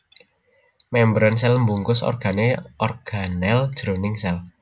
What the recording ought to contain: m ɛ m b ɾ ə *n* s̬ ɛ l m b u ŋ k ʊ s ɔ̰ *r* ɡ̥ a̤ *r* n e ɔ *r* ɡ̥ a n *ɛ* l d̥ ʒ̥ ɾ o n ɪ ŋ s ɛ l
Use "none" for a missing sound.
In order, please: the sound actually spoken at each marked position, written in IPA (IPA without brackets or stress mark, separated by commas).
n, r, none, r, ɛ